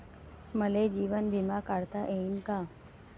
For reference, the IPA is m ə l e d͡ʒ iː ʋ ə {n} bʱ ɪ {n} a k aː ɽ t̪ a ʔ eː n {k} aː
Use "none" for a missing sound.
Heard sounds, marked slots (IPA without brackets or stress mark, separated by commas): n, m, k